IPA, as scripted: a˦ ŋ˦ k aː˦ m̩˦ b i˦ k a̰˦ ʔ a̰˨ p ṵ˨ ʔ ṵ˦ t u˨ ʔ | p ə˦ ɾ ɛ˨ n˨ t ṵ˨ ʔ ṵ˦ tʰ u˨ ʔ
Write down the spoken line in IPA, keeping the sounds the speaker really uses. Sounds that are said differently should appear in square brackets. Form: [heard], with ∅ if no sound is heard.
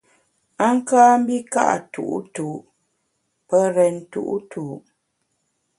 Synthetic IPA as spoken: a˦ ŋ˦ k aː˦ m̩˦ b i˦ k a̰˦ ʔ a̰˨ [t] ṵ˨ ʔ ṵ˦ t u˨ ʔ | p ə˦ ɾ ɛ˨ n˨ t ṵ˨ ʔ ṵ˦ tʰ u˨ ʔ